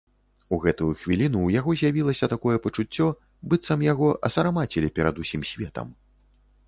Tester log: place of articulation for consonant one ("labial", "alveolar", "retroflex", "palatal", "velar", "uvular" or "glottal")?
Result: velar